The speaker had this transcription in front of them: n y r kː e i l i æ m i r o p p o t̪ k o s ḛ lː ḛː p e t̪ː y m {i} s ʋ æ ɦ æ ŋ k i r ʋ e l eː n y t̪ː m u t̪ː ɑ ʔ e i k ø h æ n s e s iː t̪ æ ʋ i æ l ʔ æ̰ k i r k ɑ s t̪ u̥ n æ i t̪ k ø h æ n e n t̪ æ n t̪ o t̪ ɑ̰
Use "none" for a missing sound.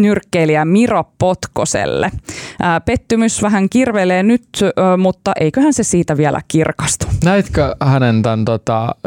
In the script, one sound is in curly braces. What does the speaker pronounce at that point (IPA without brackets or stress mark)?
y